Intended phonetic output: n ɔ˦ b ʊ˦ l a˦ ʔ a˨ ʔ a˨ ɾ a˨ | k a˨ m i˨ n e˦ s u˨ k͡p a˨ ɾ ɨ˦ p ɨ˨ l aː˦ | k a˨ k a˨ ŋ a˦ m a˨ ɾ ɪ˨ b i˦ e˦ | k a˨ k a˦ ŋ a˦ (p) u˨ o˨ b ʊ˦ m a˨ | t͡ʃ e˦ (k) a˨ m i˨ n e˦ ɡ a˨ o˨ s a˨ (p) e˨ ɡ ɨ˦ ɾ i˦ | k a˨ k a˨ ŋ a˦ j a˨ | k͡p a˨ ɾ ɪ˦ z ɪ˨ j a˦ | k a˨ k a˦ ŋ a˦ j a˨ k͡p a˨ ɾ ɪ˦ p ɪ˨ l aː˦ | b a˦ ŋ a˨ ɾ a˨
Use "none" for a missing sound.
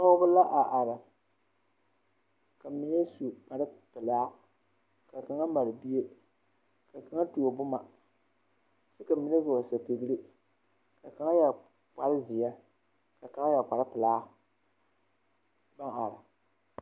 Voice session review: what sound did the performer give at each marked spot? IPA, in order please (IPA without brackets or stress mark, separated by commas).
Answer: t, k, p